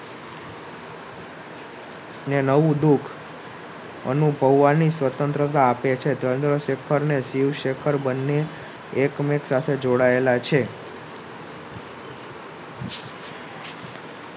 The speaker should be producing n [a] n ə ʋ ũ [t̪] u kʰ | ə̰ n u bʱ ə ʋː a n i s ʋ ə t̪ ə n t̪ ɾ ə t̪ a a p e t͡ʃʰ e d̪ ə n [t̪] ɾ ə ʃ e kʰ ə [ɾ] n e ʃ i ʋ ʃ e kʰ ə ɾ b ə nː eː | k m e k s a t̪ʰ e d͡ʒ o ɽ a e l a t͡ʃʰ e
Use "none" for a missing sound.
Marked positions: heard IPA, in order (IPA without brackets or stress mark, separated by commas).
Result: e, d̪, d̪, ɾ